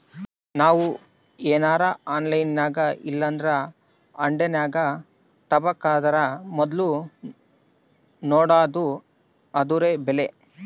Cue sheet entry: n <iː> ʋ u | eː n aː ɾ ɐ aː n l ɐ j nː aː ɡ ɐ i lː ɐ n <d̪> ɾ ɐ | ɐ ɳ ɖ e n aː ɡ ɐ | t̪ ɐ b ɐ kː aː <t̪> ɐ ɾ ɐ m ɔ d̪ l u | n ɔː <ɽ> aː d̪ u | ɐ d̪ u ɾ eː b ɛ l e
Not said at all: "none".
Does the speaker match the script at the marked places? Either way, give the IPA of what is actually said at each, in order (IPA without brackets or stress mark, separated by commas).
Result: aː, d̪, d̪, ɽ